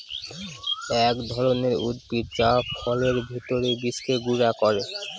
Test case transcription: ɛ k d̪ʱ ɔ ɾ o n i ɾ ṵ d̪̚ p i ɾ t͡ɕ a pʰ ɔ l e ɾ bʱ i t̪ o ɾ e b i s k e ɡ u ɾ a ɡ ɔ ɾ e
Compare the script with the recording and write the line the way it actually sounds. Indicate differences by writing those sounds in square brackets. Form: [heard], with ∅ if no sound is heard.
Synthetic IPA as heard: ɛ k d̪ʱ ɔ ɾ o n [e] ɾ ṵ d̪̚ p i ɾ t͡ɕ a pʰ ɔ l e ɾ bʱ i t̪ o ɾ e b i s k e ɡ u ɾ a [k] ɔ ɾ e